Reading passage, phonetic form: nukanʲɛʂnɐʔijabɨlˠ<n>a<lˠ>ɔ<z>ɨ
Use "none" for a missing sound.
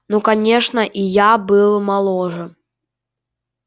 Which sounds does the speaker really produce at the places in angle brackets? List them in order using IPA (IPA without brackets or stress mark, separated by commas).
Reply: m, lˠ, ʐ